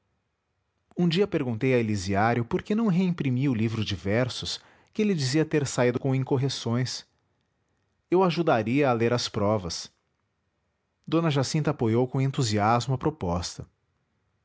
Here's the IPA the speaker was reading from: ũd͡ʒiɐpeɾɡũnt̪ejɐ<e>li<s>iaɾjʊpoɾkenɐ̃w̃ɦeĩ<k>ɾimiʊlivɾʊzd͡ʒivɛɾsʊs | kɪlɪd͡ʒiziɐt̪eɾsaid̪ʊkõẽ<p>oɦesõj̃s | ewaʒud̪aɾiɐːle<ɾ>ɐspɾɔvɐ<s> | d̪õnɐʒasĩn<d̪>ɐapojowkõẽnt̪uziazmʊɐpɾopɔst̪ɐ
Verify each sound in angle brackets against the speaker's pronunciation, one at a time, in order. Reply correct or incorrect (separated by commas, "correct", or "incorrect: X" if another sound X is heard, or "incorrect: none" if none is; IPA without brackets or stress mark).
correct, incorrect: z, incorrect: p, incorrect: k, correct, correct, incorrect: t̪